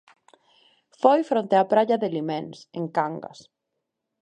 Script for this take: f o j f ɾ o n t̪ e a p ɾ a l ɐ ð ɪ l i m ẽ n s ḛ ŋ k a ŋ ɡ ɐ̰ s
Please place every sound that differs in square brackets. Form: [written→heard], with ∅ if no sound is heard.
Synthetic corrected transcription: f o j f ɾ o n t̪ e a p ɾ a [l→ʎ] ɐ ð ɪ l i m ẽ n s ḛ ŋ k a ŋ ɡ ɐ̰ s